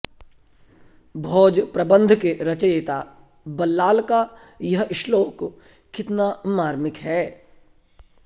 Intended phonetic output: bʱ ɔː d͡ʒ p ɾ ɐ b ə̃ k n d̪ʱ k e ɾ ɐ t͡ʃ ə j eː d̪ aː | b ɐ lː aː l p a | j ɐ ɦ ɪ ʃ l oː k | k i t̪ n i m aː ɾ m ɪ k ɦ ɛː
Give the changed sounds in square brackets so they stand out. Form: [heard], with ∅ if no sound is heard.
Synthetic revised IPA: bʱ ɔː d͡ʒ p ɾ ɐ b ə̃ [∅] n d̪ʱ k e ɾ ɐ t͡ʃ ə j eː [t̪] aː | b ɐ lː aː l [k] a | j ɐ ɦ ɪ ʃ l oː k | k [ɪ] t̪ n [a] m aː ɾ m ɪ k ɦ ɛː